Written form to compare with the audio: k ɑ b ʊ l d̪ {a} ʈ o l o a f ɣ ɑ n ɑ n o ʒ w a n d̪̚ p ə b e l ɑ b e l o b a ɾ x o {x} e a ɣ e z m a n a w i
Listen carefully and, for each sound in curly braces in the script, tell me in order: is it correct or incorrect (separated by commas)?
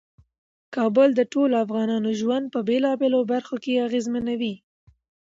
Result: incorrect, incorrect